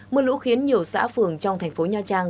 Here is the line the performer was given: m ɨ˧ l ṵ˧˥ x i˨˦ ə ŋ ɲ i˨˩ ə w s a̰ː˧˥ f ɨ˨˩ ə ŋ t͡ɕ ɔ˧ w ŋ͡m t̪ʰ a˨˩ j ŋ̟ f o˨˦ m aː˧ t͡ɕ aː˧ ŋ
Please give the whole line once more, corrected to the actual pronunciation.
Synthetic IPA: m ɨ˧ l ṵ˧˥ x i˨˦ ə n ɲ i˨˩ ə w s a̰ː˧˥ f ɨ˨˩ ə ŋ t͡ɕ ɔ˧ w ŋ͡m t̪ʰ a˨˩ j ŋ̟ f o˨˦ ɲ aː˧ t͡ɕ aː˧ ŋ